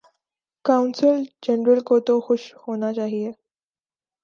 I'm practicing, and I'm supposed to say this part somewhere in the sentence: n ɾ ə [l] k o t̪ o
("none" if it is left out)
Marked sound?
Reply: l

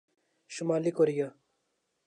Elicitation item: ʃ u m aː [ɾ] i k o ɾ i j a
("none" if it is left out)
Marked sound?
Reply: l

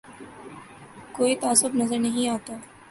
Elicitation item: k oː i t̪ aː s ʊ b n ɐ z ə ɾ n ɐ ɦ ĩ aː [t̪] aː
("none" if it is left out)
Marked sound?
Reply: t̪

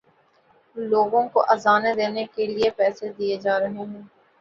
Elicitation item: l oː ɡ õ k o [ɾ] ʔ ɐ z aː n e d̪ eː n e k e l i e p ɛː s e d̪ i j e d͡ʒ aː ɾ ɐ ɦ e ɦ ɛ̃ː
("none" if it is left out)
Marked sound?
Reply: none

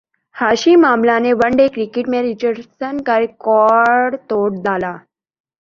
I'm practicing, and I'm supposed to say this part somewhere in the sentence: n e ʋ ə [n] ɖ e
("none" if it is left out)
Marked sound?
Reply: ɳ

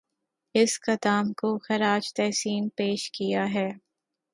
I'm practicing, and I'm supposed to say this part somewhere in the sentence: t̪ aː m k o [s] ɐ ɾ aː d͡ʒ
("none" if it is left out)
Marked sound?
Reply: x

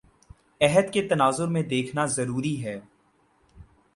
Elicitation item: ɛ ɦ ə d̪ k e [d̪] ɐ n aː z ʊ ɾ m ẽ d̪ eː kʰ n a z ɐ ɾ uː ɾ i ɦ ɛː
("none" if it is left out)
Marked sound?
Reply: t̪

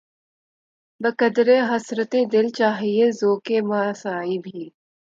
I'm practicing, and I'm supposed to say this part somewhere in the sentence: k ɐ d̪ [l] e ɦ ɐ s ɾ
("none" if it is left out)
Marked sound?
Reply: ɾ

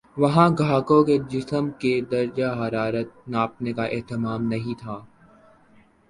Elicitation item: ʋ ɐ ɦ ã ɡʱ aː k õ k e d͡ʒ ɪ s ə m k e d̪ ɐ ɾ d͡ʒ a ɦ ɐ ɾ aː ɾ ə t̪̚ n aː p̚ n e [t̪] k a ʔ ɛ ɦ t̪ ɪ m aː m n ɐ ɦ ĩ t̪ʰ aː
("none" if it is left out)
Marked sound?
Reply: none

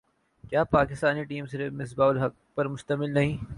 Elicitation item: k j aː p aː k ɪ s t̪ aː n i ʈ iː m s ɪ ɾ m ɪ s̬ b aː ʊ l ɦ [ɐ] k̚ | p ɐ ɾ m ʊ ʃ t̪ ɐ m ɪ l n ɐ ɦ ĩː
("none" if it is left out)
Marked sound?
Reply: ɐ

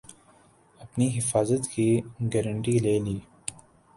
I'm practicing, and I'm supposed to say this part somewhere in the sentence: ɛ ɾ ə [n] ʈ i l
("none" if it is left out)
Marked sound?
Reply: ɳ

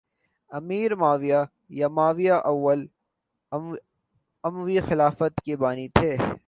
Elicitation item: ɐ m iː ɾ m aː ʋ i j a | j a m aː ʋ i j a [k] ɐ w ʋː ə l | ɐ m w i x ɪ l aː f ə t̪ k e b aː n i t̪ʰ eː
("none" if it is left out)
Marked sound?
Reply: ʔ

